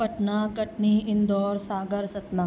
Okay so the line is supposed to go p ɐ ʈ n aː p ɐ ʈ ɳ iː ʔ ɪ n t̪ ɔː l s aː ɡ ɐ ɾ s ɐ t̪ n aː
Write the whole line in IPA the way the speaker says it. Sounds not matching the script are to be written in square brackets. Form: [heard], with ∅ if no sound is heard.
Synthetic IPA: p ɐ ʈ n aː [k] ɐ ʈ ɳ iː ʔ ɪ n [d̪] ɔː [ɾ] s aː ɡ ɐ ɾ s ɐ t̪ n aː